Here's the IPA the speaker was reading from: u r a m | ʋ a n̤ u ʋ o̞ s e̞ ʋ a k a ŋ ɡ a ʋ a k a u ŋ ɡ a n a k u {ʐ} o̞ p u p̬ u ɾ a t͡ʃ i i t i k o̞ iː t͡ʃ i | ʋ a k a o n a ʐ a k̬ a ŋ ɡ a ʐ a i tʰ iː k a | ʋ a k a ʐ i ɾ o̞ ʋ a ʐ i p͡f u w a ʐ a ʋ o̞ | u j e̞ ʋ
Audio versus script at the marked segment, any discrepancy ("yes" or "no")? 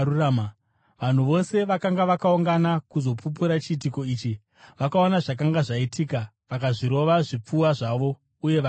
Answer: yes